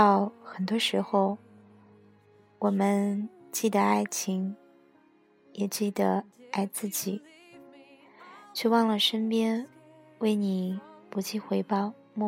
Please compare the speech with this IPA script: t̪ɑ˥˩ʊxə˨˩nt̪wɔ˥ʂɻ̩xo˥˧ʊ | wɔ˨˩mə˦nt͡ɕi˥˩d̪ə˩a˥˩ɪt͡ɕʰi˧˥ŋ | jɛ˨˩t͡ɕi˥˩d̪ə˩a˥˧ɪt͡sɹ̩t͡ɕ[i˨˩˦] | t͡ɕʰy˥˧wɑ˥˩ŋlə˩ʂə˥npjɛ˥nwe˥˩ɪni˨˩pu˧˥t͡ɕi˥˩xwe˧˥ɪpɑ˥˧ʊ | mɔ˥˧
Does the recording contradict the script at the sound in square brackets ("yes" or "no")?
no